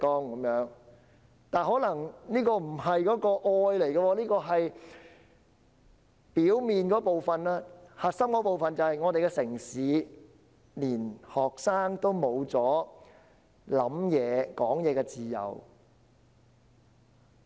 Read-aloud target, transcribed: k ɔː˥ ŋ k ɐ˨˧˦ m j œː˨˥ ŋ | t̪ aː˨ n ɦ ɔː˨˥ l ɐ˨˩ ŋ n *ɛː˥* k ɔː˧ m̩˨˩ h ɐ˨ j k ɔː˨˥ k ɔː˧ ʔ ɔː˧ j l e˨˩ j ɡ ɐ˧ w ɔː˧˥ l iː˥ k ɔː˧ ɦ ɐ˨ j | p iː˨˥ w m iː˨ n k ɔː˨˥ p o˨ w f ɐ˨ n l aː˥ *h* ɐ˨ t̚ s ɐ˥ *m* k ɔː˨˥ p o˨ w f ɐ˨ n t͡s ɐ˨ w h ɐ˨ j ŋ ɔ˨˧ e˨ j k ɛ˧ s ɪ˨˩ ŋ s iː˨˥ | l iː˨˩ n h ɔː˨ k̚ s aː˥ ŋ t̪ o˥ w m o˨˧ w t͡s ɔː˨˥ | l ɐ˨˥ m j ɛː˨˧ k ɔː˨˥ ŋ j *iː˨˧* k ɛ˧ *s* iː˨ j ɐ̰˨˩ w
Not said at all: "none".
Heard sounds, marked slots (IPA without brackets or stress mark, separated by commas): iː˥, h, m, ɛː˨˧, t͡s